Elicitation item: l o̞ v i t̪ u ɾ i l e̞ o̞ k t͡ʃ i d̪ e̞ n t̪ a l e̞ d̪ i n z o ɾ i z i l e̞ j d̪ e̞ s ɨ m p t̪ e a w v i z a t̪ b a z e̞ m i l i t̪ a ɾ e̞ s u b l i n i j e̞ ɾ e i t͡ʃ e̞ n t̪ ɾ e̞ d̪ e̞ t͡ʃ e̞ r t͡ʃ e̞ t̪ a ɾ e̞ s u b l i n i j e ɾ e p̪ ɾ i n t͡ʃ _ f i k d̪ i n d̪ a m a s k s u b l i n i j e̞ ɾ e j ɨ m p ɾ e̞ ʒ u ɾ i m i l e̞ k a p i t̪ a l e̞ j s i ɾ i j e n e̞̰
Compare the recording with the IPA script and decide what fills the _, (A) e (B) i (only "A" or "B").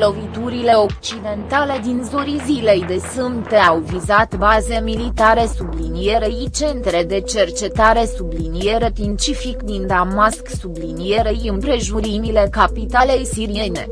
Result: B